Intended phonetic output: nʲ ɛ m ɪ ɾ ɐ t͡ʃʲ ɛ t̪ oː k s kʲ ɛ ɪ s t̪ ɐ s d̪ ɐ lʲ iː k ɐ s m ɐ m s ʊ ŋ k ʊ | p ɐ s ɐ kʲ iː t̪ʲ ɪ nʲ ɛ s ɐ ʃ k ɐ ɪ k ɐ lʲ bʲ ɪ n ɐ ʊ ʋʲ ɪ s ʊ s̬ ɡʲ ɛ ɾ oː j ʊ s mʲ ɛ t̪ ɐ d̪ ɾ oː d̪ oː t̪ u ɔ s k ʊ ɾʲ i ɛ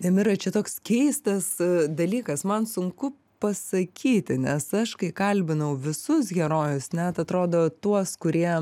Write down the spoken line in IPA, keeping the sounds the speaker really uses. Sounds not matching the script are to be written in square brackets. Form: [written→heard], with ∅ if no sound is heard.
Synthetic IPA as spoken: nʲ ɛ m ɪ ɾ ɐ t͡ʃʲ ɛ t̪ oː k s kʲ ɛ ɪ s t̪ ɐ s d̪ ɐ lʲ iː k ɐ s m ɐ [m→n] s ʊ ŋ k ʊ | p ɐ s ɐ kʲ iː t̪ʲ ɪ nʲ ɛ s ɐ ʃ k ɐ ɪ k ɐ lʲ bʲ ɪ n ɐ ʊ ʋʲ ɪ s ʊ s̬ ɡʲ ɛ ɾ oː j ʊ s [mʲ→nʲ] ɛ t̪ ɐ [d̪→t̪] ɾ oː d̪ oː t̪ u ɔ s k ʊ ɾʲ i ɛ